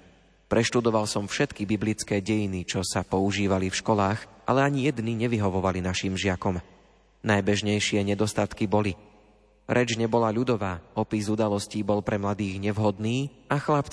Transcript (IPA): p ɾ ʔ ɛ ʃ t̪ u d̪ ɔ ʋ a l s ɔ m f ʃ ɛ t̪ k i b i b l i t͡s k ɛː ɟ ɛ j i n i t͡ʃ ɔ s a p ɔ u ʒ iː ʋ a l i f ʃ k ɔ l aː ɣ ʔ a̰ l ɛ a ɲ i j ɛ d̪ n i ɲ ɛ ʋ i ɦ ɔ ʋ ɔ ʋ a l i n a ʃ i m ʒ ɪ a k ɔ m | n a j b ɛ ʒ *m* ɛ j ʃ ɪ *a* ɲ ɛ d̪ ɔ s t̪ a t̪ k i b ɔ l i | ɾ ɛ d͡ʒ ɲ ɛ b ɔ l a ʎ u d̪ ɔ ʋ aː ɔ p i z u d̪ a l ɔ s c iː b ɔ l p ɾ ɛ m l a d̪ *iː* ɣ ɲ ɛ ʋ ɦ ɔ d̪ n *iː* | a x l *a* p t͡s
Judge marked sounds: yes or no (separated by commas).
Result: no, no, yes, yes, yes